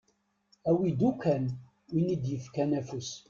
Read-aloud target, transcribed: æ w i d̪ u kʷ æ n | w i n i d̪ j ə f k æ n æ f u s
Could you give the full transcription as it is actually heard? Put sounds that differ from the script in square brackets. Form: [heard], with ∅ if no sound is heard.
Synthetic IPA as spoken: æ w i d̪ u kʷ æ n | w i n i d̪ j ə f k æ n æ f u s